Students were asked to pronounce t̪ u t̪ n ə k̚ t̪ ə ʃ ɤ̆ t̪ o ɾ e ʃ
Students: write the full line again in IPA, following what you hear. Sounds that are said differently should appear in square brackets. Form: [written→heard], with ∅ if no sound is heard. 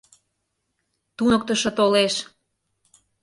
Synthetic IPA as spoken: t̪ u [t̪→∅] n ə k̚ t̪ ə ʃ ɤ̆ t̪ o [ɾ→l] e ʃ